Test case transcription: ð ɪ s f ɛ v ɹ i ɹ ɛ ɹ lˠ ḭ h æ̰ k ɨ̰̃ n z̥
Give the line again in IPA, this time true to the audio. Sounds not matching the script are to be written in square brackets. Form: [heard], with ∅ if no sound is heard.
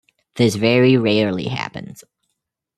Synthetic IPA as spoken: ð ɪ s [v] ɛ [∅] ɹ i ɹ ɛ ɹ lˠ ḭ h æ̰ [p] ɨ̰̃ n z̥